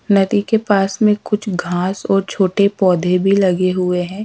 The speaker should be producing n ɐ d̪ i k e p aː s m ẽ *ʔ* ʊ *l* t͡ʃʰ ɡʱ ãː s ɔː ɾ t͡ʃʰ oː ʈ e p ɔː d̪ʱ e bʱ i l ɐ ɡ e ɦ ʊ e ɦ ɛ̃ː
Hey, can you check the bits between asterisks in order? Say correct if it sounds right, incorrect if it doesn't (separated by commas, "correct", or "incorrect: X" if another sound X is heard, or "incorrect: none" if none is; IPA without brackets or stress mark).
incorrect: k, incorrect: none